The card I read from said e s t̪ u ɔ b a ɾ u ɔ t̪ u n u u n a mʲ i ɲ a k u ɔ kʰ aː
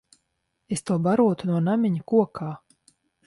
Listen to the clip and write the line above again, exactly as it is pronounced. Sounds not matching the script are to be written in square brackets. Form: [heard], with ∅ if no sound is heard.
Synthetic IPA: e s t̪ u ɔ b a ɾ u ɔ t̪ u n u [ɔ] n a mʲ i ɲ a k u ɔ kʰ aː